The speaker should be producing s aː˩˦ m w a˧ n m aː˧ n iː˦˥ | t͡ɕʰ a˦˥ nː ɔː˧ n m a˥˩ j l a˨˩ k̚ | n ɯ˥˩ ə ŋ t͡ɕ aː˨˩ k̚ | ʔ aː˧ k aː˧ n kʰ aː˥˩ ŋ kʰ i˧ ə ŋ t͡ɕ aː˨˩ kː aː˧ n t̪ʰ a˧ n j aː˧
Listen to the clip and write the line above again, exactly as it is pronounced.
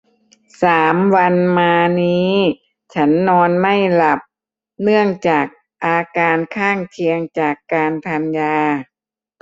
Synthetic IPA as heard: s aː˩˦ m w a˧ n m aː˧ n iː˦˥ | t͡ɕʰ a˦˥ nː ɔː˧ n m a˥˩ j l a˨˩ p̚ | n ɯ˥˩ ə ŋ t͡ɕ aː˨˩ k̚ | ʔ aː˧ k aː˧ n kʰ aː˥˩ ŋ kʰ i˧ ə ŋ t͡ɕ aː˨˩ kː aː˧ n t̪ʰ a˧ n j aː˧